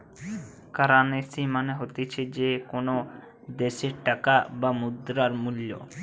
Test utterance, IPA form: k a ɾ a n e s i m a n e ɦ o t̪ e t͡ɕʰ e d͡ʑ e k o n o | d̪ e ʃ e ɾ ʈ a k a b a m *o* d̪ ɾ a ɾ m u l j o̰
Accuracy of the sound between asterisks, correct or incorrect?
incorrect